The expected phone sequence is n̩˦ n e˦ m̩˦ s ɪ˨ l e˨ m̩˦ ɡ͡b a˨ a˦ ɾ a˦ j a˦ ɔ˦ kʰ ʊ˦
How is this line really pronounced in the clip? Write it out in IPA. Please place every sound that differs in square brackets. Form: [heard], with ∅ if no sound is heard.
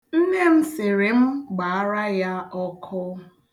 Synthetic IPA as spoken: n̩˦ n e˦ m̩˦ s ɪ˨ [ɾ] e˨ m̩˦ ɡ͡b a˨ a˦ ɾ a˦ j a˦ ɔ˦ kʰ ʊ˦